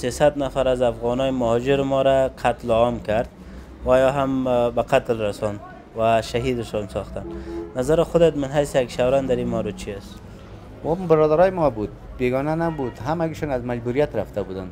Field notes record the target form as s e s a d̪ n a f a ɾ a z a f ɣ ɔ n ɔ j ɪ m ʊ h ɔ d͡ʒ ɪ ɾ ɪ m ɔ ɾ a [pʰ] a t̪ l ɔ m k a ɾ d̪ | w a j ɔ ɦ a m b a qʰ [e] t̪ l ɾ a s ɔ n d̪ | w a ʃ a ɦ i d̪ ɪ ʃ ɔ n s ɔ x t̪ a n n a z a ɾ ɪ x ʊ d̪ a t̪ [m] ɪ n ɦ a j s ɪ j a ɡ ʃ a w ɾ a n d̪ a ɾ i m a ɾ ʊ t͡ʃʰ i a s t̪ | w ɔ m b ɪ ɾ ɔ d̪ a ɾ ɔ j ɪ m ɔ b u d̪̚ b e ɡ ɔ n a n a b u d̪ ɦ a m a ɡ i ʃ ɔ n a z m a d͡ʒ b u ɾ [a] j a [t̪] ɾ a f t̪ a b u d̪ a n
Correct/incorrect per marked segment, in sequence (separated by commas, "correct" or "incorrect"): incorrect, incorrect, correct, incorrect, correct